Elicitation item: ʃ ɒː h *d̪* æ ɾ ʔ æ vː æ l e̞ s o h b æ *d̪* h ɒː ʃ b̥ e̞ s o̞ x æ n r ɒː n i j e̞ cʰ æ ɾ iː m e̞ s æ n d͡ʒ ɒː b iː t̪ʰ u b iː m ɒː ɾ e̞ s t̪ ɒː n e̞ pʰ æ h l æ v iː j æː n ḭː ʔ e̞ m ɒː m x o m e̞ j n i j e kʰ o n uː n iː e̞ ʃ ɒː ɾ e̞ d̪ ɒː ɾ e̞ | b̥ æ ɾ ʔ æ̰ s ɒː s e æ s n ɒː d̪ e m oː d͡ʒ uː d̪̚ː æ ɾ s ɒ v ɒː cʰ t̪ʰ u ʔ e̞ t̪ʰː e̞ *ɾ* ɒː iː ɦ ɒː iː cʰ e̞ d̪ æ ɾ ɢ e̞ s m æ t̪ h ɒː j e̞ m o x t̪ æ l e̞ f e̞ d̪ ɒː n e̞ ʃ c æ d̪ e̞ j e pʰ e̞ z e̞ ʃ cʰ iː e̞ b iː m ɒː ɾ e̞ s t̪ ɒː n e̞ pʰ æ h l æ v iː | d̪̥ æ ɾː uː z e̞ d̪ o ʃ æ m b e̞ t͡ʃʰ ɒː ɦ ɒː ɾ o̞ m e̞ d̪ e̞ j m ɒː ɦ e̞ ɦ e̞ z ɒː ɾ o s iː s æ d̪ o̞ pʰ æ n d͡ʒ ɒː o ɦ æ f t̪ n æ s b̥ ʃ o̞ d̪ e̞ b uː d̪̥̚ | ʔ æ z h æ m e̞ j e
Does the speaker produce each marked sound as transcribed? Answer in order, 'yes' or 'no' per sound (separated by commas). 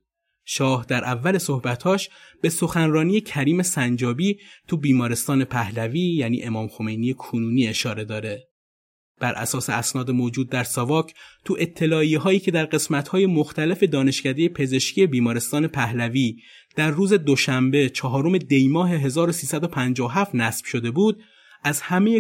yes, no, no